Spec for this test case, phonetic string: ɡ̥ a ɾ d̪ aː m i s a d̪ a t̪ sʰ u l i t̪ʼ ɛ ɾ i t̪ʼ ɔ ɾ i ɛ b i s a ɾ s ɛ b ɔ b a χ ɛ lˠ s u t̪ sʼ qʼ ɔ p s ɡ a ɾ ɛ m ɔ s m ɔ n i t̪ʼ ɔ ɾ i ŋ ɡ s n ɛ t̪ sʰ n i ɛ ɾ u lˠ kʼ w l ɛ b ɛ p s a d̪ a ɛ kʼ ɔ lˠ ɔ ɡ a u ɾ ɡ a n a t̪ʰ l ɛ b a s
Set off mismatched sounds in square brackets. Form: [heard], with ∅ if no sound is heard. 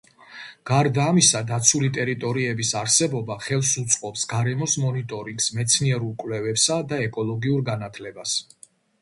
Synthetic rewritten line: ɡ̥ a ɾ d̪ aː m i s a d̪ a t̪ sʰ u l i t̪ʼ ɛ ɾ i t̪ʼ ɔ ɾ i ɛ b i s a ɾ s ɛ b ɔ b a χ ɛ lˠ s u t̪ sʼ qʼ ɔ p s ɡ a ɾ ɛ m ɔ s m ɔ n i t̪ʼ ɔ ɾ i ŋ ɡ s [m] ɛ t̪ sʰ n i ɛ ɾ u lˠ kʼ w l ɛ [v] ɛ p s a d̪ a ɛ kʼ ɔ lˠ ɔ ɡ [i] u ɾ ɡ a n a t̪ʰ l ɛ b a s

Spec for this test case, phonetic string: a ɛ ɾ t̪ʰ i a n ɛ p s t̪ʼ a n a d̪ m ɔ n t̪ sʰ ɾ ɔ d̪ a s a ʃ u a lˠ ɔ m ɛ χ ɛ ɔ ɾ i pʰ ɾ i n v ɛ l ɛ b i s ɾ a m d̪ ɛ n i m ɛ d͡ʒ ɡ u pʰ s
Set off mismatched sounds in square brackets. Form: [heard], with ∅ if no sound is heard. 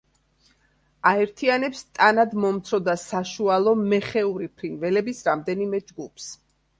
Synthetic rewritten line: a ɛ ɾ t̪ʰ i a n ɛ p s t̪ʼ a n a d̪ m ɔ [m] t̪ sʰ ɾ ɔ d̪ a s a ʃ u a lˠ ɔ m ɛ χ ɛ [u] ɾ i pʰ ɾ i n v ɛ l ɛ b i s ɾ a m d̪ ɛ n i m ɛ d͡ʒ ɡ u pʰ s

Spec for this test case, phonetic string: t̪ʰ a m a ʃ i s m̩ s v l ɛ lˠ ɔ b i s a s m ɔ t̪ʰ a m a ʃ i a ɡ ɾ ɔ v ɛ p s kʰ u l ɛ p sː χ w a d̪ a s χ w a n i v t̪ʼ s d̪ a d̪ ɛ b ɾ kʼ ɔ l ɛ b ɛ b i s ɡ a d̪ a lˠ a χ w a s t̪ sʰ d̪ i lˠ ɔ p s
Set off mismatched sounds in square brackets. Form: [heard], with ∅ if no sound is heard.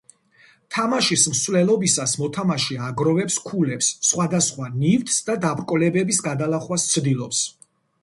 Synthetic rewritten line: t̪ʰ a m a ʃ i s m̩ s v l ɛ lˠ ɔ b i s a s m ɔ t̪ʰ a m a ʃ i a ɡ ɾ ɔ v ɛ p s kʰ u l ɛ p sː χ w a d̪ a s χ w a n i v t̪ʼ s d̪ a d̪ [a] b ɾ kʼ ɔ l ɛ b ɛ b i s ɡ a d̪ a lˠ a χ w a s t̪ sʰ d̪ i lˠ ɔ p s

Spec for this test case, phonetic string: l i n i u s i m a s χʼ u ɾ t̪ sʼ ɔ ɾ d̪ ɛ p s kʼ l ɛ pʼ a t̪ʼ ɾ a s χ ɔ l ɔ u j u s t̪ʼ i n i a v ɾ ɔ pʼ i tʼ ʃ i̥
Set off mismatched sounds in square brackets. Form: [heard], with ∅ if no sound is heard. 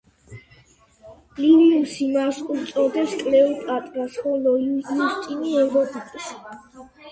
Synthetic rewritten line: l i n i u s i m a s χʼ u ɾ t̪ sʼ ɔ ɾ d̪ ɛ p s kʼ l ɛ pʼ a t̪ʼ ɾ a s χ ɔ l ɔ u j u s t̪ʼ i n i [ɛ] v ɾ ɔ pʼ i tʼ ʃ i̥

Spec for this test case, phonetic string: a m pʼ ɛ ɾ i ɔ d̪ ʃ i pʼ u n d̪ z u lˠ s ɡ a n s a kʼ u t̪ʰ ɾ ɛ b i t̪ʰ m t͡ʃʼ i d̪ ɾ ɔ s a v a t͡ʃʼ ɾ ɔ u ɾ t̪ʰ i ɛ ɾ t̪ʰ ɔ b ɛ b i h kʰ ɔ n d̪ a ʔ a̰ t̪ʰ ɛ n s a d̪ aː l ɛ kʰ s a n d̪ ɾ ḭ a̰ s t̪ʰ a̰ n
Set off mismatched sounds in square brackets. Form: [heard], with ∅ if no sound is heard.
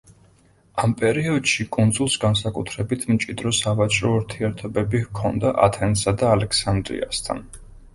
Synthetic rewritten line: a m pʼ ɛ ɾ i ɔ d̪ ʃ i [kʼ] u n d̪ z u lˠ s ɡ a n s a kʼ u t̪ʰ ɾ ɛ b i t̪ʰ m t͡ʃʼ i d̪ ɾ ɔ s a v a t͡ʃʼ ɾ ɔ u ɾ t̪ʰ i ɛ ɾ t̪ʰ ɔ b ɛ b i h kʰ ɔ n d̪ a ʔ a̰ t̪ʰ ɛ n s a d̪ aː l ɛ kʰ s a n d̪ ɾ ḭ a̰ s t̪ʰ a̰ n

